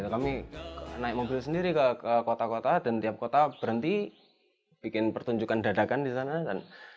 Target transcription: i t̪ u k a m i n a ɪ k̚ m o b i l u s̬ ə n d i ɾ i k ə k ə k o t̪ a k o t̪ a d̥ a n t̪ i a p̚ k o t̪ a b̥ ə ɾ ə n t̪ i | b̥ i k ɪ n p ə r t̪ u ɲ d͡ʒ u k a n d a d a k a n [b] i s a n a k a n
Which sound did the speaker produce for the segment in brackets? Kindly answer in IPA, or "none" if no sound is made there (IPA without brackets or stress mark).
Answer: d